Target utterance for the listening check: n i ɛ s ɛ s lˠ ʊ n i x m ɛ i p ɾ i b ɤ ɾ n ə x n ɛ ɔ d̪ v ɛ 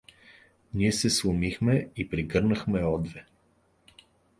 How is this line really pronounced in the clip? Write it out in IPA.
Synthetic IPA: n i ɛ s ɛ s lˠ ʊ m i x m ɛ i p ɾ i ɡ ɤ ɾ n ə x m ɛ ɔ d̪ v ɛ